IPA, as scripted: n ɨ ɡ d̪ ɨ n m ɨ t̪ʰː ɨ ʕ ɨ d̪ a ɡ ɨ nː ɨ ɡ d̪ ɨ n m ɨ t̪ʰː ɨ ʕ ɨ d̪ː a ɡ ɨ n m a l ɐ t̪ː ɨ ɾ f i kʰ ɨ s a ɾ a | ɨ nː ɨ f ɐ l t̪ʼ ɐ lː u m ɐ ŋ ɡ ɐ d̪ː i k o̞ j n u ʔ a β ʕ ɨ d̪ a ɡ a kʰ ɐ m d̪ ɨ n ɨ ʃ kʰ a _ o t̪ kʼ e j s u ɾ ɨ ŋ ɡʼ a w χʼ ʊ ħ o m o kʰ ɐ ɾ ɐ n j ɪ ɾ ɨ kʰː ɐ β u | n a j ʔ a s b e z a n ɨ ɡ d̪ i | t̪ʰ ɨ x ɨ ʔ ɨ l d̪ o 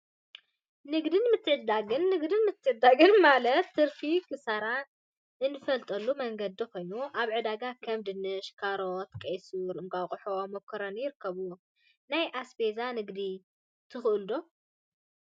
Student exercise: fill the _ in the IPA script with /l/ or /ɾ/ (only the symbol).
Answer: ɾ